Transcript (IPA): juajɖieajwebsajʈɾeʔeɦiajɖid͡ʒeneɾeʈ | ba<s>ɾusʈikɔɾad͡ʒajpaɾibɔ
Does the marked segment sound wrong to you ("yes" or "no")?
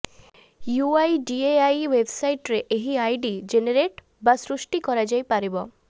no